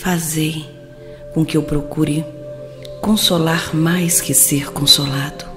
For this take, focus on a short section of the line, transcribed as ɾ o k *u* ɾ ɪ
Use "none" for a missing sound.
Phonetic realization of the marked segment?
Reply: u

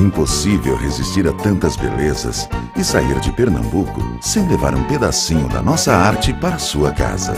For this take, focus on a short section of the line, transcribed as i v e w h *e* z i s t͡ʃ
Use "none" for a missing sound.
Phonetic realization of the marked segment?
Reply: e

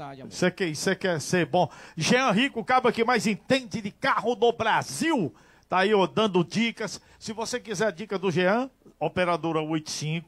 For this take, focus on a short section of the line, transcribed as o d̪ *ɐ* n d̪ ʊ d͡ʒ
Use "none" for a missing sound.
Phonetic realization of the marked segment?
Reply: ɐ̃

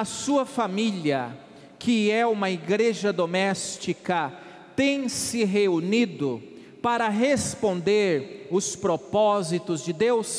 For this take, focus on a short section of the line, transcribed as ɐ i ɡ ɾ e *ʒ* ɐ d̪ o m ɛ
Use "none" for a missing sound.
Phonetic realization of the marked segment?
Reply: ʒ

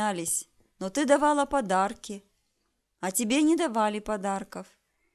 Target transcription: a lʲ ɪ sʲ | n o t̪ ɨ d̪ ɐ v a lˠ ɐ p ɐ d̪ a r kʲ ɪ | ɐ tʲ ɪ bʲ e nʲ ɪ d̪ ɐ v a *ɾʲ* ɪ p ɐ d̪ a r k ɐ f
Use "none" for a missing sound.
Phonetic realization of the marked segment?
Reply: lʲ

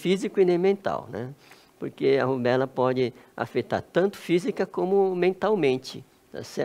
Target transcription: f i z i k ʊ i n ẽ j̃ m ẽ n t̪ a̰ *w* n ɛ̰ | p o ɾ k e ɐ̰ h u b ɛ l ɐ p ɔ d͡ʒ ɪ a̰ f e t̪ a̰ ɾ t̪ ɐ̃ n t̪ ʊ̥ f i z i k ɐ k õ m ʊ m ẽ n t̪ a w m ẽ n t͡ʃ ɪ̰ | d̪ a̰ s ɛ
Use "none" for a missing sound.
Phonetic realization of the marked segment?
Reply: w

